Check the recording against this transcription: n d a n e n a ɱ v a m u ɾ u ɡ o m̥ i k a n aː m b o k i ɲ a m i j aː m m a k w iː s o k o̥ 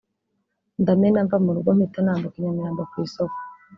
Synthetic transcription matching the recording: n d a m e n a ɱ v a m u ɾ u ɡ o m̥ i t a n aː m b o k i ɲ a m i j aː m b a k w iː s o k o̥